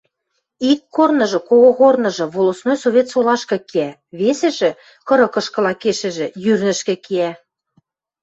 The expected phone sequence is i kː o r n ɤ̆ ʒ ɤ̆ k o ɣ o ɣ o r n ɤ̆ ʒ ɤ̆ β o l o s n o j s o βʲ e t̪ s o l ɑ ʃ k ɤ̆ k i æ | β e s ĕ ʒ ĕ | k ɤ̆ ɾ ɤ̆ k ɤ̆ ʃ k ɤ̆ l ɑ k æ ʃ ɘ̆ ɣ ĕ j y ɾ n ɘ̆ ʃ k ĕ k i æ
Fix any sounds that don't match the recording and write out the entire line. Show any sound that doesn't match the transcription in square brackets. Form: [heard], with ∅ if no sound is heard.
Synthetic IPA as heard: i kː o r n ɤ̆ ʒ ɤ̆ k o ɣ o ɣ o r n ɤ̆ ʒ ɤ̆ β o l o s n o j s o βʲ e t̪ s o l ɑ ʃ k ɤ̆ k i æ | β e s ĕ ʒ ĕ | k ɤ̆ ɾ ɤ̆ k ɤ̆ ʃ k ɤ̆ l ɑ k [e] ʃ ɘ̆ [ʒ] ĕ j y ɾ n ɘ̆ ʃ k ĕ k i æ

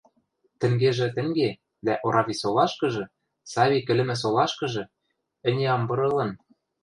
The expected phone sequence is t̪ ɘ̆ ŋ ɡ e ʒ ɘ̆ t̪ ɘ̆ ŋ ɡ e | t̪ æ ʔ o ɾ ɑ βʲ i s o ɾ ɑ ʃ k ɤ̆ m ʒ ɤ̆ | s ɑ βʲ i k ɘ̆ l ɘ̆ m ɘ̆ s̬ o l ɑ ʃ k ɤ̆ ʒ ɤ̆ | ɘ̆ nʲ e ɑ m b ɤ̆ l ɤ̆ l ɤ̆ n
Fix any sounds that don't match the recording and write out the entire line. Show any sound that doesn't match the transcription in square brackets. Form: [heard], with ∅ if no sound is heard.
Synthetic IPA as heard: t̪ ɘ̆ ŋ ɡ e ʒ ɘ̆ t̪ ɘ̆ ŋ ɡ e | [d̪] æ ʔ o ɾ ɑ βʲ i s o [l] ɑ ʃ k ɤ̆ [∅] ʒ ɤ̆ | s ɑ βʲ i k ɘ̆ l ɘ̆ m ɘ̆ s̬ o l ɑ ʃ k ɤ̆ ʒ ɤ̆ | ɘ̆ nʲ e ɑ m b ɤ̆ [ɾ] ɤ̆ l ɤ̆ n

